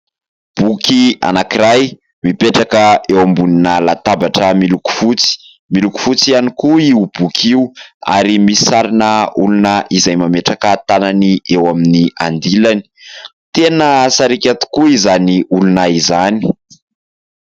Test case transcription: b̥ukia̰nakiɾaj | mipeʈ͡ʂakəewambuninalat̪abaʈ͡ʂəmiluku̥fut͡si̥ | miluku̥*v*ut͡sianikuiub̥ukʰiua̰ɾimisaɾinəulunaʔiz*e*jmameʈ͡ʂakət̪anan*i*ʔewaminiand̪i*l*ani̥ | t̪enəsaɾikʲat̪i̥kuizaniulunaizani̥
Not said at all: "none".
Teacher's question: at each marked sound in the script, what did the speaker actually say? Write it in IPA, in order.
f, a, i, l

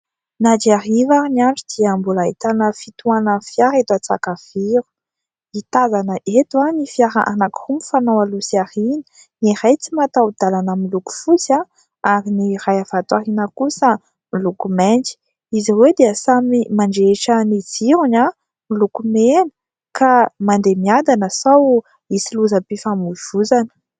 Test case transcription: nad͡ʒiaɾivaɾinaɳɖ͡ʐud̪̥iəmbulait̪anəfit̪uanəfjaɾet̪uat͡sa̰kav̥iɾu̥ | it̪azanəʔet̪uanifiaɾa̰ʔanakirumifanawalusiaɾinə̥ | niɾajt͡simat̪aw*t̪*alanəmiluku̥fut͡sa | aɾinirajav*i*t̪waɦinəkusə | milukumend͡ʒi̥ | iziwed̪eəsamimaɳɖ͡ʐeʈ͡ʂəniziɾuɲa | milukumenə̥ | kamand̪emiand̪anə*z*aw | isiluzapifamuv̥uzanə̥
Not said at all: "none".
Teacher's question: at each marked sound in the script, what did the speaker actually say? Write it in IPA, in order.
d̪, a, s

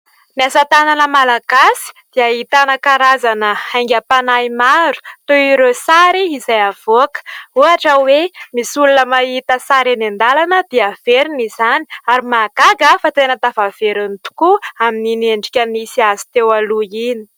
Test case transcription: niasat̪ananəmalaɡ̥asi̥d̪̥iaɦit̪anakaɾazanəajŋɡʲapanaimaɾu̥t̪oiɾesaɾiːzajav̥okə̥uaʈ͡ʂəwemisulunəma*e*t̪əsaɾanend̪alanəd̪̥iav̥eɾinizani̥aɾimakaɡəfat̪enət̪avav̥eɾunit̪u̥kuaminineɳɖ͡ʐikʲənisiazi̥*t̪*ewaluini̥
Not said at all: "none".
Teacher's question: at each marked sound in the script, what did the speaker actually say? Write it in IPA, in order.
i, t̪

